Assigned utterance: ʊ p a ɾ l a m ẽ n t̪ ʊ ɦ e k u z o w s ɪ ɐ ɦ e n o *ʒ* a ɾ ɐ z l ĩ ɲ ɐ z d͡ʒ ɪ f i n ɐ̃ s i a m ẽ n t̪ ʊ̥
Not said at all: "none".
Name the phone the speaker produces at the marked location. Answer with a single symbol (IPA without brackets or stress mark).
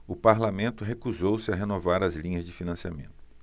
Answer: v